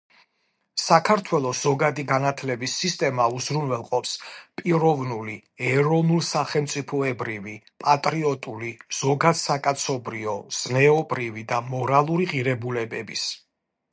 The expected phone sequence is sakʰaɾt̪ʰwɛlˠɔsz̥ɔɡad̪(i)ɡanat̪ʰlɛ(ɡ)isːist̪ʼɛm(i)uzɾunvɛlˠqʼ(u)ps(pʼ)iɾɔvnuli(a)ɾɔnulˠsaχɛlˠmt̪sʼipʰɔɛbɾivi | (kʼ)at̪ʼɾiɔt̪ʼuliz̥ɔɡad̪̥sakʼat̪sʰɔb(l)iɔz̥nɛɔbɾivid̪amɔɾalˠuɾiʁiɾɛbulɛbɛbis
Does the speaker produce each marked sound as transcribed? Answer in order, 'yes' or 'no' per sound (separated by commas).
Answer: yes, no, no, no, yes, no, no, no